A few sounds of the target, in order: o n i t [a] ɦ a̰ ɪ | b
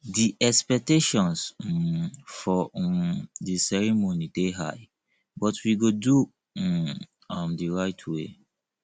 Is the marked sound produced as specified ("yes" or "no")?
no